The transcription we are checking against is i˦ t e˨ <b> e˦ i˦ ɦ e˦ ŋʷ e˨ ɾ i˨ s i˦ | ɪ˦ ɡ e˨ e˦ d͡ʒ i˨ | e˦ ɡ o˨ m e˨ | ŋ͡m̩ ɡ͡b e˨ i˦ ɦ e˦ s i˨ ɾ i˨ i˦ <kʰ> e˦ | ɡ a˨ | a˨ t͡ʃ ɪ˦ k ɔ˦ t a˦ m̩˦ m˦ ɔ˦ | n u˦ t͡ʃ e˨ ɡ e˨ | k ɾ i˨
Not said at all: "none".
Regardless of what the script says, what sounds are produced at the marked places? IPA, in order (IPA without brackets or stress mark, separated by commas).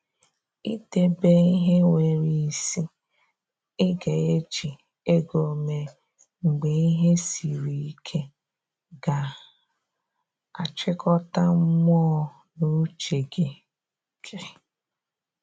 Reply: b, kʰ